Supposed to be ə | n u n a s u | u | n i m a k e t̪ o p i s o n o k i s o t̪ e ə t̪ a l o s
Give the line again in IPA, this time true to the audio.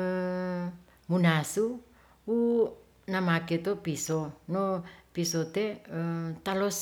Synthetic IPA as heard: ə | m u n a s u | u | n a m a k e t̪ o p i s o n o p i s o t̪ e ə t̪ a l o s